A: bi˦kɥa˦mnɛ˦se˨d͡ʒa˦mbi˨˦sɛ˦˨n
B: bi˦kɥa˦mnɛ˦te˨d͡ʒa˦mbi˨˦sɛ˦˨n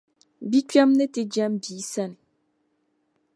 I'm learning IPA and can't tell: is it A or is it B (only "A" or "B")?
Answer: B